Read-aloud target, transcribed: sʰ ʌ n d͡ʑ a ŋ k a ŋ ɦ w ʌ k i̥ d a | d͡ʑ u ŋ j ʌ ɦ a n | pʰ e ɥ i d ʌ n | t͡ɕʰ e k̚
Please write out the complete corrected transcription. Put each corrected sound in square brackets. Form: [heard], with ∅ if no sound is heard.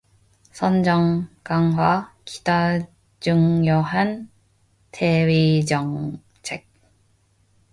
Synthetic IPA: sʰ ʌ n d͡ʑ [ʌ] ŋ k a ŋ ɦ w [a] k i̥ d a | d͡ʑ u ŋ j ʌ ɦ a n | [tʰ] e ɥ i [d͡ʑ] ʌ [ŋ] | t͡ɕʰ e k̚